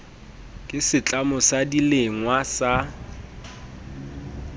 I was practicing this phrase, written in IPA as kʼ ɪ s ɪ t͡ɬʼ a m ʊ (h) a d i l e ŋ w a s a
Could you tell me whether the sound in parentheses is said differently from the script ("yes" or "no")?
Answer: yes